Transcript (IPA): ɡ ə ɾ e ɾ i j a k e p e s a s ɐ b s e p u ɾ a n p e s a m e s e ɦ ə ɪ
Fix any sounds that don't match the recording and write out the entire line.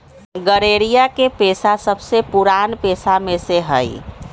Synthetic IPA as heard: ɡ ə ɾ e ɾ i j a k e p e s a s ə b s e p u ɾ a n p e s a m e s e ɦ ə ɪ